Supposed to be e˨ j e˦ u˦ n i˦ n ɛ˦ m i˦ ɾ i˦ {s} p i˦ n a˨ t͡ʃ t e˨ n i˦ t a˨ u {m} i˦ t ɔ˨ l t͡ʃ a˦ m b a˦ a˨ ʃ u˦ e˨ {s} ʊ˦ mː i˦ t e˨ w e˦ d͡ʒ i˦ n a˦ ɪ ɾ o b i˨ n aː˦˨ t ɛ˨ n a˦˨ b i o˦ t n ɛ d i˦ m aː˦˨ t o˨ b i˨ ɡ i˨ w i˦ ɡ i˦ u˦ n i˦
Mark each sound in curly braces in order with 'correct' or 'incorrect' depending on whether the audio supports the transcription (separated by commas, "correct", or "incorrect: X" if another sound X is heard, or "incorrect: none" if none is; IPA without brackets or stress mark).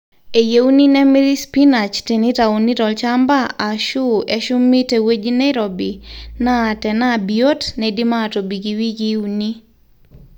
correct, incorrect: n, incorrect: ʃ